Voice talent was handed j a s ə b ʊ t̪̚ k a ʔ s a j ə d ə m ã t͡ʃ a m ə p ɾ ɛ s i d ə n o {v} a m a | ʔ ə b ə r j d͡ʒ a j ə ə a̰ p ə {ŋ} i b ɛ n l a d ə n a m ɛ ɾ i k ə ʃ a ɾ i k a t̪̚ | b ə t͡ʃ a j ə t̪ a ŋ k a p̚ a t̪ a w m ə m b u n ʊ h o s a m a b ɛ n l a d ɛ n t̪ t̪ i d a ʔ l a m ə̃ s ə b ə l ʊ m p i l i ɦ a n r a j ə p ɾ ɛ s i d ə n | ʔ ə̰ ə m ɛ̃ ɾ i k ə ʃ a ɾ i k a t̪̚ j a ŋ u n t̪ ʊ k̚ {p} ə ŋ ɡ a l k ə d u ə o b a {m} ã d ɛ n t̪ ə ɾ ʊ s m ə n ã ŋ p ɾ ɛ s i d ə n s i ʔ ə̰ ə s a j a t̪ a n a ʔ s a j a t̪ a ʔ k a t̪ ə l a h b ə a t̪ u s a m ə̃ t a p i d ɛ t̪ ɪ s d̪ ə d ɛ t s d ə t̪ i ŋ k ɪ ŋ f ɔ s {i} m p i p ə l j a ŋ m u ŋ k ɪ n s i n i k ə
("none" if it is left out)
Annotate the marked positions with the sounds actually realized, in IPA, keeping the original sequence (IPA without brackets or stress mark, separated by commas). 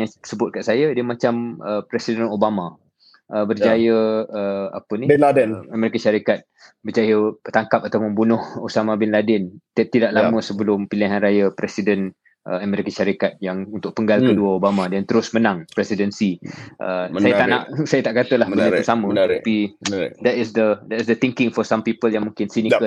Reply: b, n, p, m, a